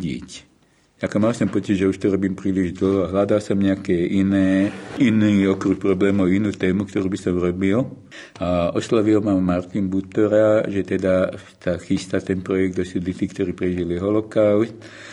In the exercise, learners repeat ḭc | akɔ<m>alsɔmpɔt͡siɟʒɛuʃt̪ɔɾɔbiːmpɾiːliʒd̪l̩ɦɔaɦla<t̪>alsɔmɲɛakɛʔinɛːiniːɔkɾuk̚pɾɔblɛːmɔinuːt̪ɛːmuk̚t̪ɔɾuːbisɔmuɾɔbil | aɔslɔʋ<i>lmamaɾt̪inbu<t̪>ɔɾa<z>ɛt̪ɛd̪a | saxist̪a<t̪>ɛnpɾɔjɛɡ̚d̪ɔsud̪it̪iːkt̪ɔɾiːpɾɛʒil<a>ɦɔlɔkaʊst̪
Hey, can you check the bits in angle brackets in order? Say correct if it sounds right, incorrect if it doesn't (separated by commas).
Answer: correct, incorrect, correct, correct, incorrect, correct, incorrect